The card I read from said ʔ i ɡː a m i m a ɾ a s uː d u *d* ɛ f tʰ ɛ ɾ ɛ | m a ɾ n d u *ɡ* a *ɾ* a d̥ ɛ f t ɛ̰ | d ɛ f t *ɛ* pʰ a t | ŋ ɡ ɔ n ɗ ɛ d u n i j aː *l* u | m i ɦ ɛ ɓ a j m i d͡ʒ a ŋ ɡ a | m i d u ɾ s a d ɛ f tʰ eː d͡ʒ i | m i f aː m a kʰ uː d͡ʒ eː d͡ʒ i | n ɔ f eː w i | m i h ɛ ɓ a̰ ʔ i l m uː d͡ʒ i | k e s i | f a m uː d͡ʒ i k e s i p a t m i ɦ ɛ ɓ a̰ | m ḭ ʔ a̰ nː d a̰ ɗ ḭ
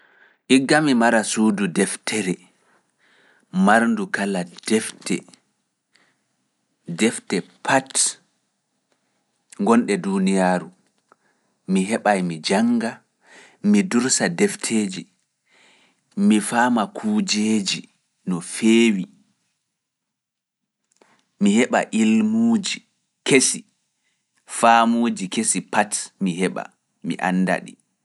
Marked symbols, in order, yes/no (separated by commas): yes, no, no, yes, no